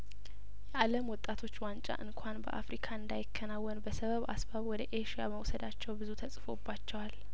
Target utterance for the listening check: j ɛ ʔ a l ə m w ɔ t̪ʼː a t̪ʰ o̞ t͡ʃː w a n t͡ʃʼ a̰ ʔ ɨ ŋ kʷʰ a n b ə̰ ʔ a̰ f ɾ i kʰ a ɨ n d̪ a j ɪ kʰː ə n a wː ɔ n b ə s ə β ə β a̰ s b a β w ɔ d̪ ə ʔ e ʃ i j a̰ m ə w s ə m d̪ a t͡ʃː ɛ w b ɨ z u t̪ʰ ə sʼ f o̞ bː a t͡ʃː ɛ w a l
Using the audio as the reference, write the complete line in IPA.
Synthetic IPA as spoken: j ɛ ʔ a l ə m w ɔ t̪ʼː a t̪ʰ o̞ t͡ʃː w a n t͡ʃʼ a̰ ʔ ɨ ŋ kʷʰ a n b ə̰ ʔ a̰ f ɾ i kʰ a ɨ n d̪ a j ɪ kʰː ə n a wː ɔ n b ə s ə β ə β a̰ s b a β w ɔ d̪ ə ʔ e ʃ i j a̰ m ə w s ə d̪ a t͡ʃː ɛ w b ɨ z u t̪ʰ ə sʼ f o̞ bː a t͡ʃː ɛ w a l

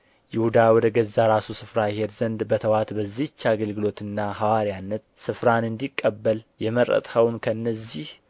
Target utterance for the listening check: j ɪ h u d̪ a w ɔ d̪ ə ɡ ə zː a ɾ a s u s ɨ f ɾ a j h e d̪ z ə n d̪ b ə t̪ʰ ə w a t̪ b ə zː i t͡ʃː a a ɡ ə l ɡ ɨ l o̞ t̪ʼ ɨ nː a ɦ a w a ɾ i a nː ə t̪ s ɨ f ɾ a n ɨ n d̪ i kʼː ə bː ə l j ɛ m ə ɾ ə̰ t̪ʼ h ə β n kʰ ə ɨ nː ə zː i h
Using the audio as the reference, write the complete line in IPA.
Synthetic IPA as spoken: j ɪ h u d̪ a w ɔ d̪ ə ɡ ə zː a ɾ a s u s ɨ f ɾ a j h e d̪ z ə n d̪ b ə t̪ʰ ə w a t̪ b ə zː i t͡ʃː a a ɡ ə l ɡ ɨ l o̞ t̪ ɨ nː a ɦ a w a ɾ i a nː ə t̪ s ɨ f ɾ a n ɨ n d̪ i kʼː ə bː ə l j ɛ m ə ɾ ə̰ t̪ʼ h ə w n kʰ ə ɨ nː ə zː i h

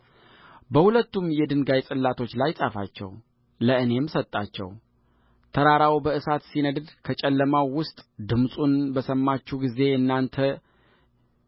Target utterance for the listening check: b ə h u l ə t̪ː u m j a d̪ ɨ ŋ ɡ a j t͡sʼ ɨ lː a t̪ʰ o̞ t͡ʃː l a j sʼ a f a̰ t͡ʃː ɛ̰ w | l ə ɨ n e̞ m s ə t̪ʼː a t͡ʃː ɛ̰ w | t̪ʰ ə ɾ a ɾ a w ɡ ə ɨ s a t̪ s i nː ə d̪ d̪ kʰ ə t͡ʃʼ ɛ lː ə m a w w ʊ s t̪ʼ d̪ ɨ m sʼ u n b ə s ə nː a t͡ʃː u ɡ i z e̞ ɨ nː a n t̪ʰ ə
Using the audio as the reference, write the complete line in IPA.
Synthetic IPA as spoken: b ə h u l ə t̪ː u m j ɛ d̪ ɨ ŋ ɡ a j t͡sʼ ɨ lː a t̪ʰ o̞ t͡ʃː l a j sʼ a f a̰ t͡ʃː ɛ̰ w | l ə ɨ n e̞ m s ə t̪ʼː a t͡ʃː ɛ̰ w | t̪ʰ ə ɾ a ɾ a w b ə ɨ s a t̪ s i n ə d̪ d̪ kʰ ə t͡ʃʼ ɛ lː ə m a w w ʊ s t̪ʼ d̪ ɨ m sʼ u n b ə s ə mː a t͡ʃː u ɡ i z e̞ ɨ nː a n t̪ʰ ə

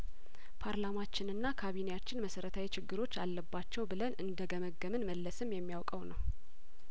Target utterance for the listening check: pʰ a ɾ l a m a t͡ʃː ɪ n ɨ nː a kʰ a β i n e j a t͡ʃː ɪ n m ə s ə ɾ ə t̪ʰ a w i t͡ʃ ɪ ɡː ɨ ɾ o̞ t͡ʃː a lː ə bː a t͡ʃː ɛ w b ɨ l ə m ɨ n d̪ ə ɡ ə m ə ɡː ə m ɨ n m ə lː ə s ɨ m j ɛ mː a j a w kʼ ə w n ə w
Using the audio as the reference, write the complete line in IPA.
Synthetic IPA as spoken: pʰ a ɾ l a m a t͡ʃː ɪ n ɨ nː a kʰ a β i n e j a t͡ʃː ɪ n m ə s ə ɾ ə t̪ʰ a w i t͡ʃ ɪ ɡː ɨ ɾ o̞ t͡ʃː a lː ə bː a t͡ʃː ɛ w b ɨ l ə n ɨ n d̪ ə ɡ ə m ə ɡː ə m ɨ n m ə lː ə s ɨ m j ɛ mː i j a w kʼ ə w n ə w

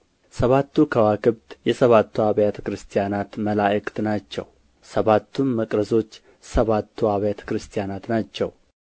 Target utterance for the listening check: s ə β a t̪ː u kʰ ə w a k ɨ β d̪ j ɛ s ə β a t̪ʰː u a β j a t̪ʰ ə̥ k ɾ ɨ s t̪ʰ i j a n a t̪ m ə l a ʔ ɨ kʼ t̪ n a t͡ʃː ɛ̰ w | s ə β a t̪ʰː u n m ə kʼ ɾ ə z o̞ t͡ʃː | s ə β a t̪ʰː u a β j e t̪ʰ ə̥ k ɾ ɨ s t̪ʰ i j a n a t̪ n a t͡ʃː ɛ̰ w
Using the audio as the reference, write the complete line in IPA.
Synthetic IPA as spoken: s ə β a t̪ː u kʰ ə w a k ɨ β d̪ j ɛ s ə β a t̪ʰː u a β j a t̪ʰ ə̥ k ɾ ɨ s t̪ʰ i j a n a t̪ m ə l a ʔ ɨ kʼ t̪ n a t͡ʃː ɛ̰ w | s ə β a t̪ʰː u n m ə kʼ ɾ ə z o̞ t͡ʃː | s ə β a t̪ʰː u a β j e t̪ʰ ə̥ k ɾ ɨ s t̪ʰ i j a n a t̪ n a t͡ʃː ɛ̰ w

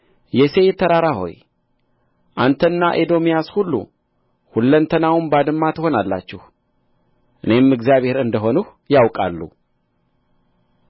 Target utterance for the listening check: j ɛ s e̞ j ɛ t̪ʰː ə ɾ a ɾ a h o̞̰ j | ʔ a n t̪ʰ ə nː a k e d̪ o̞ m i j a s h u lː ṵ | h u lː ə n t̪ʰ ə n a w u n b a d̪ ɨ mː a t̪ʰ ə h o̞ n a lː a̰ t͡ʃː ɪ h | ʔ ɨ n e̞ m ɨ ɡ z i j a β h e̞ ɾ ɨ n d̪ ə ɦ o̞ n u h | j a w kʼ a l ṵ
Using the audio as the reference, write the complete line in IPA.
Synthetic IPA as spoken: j ɛ s e̞ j ɛ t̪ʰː ə ɾ a ɾ a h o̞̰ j | ʔ a n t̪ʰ ə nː a ʔ e d̪ o̞ m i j a s h u lː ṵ | h u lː ə n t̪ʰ ə n a w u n b a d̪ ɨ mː a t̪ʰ ə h o̞ n a lː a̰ t͡ʃː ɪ h | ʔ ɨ n e̞ m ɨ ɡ z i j a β h e̞ ɾ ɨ n d̪ ə ɦ o̞ n u h | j a w kʼ a lː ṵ

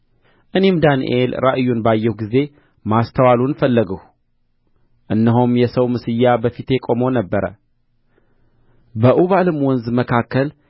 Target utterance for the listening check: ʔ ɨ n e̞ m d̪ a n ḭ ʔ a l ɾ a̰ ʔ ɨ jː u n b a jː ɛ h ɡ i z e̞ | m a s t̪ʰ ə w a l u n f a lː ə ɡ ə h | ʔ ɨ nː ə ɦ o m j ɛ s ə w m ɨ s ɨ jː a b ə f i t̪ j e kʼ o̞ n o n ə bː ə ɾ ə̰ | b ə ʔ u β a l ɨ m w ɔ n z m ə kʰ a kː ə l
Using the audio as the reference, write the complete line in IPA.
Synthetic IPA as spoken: ʔ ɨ n e̞ m d̪ a n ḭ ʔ e l ɾ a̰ ʔ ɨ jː u n b a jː ɛ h ɡ i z e̞ | m a s t̪ʰ ə w a l u n f ə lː ə ɡ ə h | ʔ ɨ nː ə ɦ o m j ɛ s ə w m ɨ s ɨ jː a b ə f i t̪ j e kʼ o̞ m o n ə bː ə ɾ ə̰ | b ə ʔ u β a l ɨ m w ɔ n z m ə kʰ a kː ə l

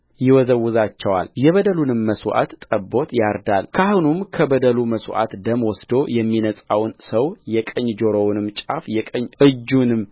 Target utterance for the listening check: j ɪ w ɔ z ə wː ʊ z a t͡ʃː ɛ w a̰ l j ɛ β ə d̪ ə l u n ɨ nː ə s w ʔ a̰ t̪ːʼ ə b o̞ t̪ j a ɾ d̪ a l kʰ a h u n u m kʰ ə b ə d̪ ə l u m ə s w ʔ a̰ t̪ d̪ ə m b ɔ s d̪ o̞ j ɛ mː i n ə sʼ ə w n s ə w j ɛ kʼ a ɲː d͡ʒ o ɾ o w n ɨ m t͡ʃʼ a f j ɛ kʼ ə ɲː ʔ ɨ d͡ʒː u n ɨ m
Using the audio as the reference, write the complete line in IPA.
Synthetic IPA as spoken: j ɪ w ɔ z ə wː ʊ z a t͡ʃː ɛ w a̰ l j ɛ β ə d̪ ə l u n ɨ mː ə s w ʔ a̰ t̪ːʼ ə b o̞ t̪ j a ɾ d̪ a l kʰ a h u n u m kʰ ə b ə d̪ ə l u m ə s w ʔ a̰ t̪ d̪ ə m w ɔ s d̪ o̞ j ɛ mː i n ə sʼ a w n s ə w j ɛ kʼ ə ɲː d͡ʒ o ɾ o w n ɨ m t͡ʃʼ a f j ɛ kʼ ə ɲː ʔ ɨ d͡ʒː u n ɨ m

